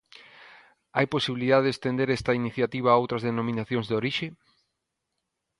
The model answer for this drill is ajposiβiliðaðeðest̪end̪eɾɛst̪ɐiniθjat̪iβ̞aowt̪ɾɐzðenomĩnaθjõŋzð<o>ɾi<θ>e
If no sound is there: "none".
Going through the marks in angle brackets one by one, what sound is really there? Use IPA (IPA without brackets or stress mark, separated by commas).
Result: o, ʃ